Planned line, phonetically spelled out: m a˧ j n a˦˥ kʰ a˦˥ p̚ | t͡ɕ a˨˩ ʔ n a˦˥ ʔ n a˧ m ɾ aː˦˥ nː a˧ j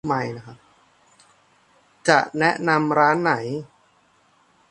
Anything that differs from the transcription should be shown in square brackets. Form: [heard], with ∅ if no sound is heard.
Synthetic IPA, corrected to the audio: m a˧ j n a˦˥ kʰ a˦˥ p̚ | t͡ɕ a˨˩ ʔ n [ɛ˦˥] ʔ n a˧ m ɾ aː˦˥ nː [a˩˦] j